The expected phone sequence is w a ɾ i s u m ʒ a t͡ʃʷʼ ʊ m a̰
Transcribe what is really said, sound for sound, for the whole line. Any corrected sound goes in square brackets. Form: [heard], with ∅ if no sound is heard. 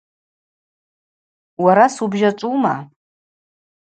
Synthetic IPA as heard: w a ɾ [a] s u [b] ʒ a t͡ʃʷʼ [u] m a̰